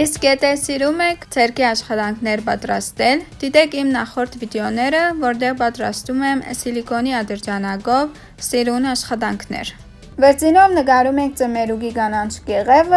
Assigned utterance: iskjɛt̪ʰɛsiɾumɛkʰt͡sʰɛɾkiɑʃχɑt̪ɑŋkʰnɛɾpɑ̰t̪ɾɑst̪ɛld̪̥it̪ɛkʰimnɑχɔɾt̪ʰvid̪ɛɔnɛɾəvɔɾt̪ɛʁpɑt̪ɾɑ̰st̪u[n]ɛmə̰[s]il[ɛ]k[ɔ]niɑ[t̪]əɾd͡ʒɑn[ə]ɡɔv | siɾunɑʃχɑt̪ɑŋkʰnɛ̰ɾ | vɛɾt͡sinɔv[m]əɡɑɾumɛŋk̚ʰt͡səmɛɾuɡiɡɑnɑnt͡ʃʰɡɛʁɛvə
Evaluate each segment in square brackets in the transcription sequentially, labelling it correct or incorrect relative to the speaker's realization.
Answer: incorrect: m, correct, incorrect: i, correct, incorrect: d̪, incorrect: ɑ, incorrect: n

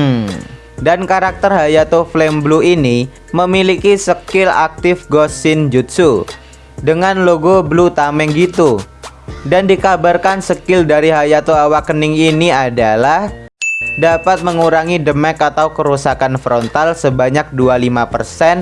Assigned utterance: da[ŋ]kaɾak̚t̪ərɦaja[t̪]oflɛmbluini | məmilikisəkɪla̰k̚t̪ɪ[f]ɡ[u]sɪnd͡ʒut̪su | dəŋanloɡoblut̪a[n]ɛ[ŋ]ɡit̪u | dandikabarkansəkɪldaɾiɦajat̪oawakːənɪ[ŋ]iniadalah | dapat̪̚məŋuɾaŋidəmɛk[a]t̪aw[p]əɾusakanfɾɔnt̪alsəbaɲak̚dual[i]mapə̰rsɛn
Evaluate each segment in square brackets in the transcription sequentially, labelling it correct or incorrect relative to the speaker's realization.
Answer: incorrect: n, correct, correct, incorrect: ɔ, incorrect: m, correct, correct, correct, incorrect: k, correct

